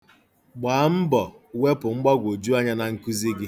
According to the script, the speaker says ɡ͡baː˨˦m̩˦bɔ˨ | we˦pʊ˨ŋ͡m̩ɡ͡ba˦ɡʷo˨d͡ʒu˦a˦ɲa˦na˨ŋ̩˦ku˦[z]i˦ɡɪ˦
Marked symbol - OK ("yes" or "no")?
yes